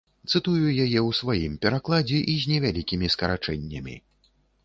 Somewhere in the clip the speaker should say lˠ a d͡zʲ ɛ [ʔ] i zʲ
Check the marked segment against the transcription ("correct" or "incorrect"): correct